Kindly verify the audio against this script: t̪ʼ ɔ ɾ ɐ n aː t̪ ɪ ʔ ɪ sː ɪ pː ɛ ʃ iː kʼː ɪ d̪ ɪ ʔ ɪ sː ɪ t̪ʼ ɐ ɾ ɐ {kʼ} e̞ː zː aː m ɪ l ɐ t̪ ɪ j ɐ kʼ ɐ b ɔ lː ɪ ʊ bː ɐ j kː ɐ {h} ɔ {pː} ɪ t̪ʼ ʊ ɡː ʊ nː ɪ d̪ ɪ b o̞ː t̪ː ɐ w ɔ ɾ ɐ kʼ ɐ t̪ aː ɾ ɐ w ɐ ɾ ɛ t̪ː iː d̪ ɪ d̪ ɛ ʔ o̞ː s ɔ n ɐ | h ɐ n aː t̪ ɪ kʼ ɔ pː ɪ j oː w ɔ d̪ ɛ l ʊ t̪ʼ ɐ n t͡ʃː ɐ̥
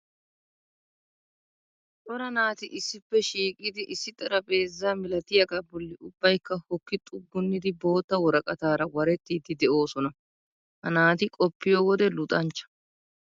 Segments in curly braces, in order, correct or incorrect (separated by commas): incorrect, correct, incorrect